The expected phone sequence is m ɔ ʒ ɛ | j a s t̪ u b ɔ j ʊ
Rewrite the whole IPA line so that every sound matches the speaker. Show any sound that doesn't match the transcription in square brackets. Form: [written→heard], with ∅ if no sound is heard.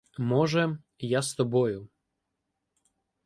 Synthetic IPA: m ɔ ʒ ɛ | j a s t̪ [u→ɔ] b ɔ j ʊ